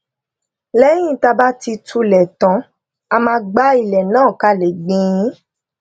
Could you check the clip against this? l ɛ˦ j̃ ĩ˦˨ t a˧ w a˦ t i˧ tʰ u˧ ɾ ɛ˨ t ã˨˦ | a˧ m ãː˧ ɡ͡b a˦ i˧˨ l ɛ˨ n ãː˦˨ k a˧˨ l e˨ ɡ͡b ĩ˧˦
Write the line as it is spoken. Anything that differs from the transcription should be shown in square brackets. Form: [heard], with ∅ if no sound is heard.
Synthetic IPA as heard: l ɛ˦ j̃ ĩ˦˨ t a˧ [b] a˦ t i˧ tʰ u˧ [l] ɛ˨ t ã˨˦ | a˧ m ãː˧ ɡ͡b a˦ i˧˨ l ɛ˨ n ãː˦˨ k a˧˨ l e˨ ɡ͡b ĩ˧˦